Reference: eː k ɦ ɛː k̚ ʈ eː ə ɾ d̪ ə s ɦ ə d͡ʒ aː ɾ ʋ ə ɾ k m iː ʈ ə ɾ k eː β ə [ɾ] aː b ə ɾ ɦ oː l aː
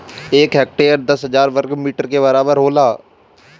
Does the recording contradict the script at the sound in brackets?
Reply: no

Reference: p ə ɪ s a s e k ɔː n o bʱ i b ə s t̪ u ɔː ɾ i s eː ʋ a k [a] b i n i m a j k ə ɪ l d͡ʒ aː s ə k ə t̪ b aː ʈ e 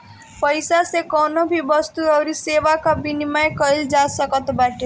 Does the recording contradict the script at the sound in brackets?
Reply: no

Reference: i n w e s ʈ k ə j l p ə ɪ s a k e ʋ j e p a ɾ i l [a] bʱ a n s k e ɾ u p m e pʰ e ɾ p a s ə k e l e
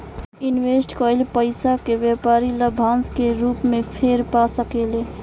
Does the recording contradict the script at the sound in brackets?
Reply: yes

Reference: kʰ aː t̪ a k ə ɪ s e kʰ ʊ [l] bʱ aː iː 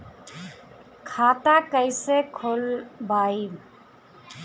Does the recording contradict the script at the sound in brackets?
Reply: no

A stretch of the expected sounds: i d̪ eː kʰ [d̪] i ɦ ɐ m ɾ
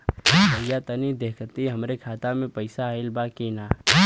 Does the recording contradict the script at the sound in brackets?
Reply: yes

